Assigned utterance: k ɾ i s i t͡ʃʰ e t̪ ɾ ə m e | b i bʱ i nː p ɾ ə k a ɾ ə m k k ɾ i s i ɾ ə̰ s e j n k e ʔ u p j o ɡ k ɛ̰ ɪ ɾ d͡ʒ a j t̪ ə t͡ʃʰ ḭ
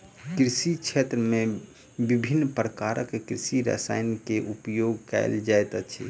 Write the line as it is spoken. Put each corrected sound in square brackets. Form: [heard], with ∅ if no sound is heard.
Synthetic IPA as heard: k ɾ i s i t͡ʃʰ e t̪ ɾ ə m e | b i bʱ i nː p ɾ ə k a ɾ ə [∅] k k ɾ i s i ɾ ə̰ s [a] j n k e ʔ u p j o ɡ k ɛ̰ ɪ [l] d͡ʒ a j t̪ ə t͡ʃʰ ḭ